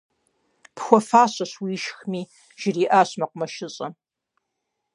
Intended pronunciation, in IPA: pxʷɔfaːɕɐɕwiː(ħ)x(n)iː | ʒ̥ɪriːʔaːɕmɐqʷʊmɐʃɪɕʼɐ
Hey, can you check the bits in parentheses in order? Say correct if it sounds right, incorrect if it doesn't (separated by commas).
incorrect, incorrect